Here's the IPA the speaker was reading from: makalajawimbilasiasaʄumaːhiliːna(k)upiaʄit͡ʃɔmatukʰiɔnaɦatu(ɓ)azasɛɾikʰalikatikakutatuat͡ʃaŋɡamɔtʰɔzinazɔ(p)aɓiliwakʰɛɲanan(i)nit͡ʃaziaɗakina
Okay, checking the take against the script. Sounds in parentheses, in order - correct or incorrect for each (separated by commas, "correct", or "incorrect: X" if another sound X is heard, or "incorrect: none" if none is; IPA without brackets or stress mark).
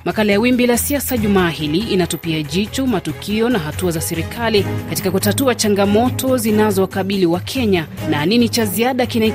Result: incorrect: t, incorrect: none, incorrect: k, correct